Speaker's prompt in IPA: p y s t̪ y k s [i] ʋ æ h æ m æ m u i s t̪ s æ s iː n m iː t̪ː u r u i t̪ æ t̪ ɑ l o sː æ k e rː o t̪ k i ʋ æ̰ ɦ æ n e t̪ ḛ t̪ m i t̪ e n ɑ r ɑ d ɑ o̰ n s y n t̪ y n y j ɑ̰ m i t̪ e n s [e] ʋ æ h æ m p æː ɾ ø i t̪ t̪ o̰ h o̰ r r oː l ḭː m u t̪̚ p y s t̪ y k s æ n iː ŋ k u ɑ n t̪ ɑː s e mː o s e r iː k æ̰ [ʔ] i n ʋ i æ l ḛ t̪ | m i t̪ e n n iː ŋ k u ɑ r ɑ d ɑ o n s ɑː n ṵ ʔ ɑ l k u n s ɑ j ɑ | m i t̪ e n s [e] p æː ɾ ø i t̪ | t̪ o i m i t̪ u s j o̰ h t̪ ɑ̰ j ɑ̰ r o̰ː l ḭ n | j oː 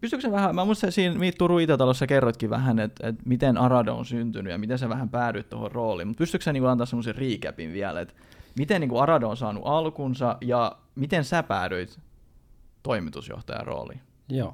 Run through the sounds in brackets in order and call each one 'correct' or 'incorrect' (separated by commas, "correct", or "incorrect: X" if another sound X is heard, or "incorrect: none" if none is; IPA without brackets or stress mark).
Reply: incorrect: æ, incorrect: æ, incorrect: p, incorrect: æ